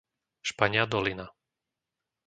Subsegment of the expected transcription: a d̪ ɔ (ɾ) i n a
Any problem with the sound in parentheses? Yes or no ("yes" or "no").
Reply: yes